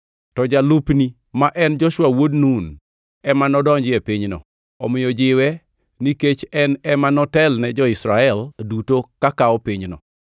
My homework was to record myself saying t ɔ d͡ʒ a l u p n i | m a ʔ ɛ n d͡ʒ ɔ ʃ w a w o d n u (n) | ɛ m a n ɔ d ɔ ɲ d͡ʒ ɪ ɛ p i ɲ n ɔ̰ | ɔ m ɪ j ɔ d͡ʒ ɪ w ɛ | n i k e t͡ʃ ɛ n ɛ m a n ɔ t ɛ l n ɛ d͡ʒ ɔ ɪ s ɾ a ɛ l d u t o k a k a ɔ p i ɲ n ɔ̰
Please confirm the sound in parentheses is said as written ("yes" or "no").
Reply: yes